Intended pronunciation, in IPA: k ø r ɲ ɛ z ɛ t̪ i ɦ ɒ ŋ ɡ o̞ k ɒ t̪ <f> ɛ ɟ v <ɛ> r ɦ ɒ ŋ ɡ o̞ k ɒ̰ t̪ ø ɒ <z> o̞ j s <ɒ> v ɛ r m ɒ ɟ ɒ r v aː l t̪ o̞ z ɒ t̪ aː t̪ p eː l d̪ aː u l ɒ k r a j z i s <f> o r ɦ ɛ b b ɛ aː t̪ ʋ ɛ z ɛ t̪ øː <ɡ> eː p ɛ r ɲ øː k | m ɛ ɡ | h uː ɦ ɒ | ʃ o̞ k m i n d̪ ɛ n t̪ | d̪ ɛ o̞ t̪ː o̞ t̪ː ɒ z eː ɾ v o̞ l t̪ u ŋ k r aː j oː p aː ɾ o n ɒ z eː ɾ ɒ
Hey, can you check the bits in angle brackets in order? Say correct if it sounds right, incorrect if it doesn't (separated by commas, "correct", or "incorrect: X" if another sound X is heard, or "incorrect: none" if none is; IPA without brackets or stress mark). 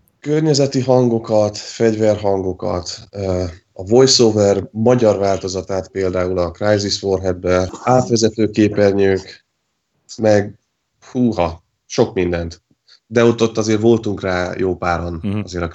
correct, correct, incorrect: v, incorrect: o, correct, incorrect: k